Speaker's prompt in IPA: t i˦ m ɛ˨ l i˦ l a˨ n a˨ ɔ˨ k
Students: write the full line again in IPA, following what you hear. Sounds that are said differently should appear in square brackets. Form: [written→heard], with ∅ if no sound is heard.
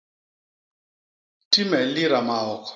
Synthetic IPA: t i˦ m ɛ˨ l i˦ [l→ɾ] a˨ [n→m] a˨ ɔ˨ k

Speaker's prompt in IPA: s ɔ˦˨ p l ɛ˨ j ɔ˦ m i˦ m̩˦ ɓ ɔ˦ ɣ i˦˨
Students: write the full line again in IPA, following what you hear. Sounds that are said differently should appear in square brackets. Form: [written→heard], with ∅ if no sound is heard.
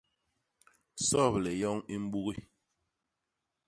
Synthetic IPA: s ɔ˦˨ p l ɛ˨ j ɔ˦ [m→ŋ] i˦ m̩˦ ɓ [ɔ˦→u˦] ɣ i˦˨

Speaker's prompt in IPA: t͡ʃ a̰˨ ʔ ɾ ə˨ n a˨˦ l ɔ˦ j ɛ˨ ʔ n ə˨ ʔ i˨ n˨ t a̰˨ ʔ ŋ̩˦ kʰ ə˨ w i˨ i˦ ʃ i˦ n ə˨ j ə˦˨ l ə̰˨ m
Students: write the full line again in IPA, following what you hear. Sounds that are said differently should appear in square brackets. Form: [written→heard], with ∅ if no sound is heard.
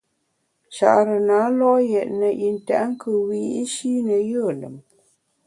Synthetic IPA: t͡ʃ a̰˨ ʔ ɾ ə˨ n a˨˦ l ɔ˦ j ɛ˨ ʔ n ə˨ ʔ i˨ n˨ t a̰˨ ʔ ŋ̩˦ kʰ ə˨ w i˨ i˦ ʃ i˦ n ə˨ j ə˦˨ l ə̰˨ m

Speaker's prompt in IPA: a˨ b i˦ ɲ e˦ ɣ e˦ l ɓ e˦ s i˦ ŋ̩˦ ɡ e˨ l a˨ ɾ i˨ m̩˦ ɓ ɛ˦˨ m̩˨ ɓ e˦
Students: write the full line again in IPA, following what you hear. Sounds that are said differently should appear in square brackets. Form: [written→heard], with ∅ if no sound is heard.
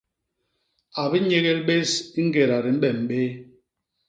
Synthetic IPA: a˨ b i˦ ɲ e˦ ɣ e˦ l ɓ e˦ s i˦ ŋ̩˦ ɡ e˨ [l→ɾ] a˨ ɾ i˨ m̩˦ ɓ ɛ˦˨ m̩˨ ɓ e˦

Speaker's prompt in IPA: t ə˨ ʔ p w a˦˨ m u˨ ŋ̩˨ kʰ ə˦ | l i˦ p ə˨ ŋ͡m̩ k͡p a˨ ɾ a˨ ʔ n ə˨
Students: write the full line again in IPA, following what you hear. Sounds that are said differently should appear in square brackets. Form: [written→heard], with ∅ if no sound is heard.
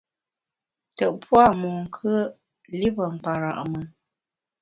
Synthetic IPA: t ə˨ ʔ p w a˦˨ m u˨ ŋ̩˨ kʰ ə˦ | l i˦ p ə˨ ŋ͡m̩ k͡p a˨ ɾ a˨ ʔ [n→m] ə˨

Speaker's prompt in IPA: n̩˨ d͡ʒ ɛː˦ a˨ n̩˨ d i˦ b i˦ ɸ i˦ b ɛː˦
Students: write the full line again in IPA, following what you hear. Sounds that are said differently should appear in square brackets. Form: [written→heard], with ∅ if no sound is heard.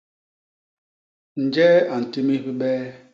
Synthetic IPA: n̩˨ d͡ʒ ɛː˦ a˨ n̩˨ [d→t] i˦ [b→m] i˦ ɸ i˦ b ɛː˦

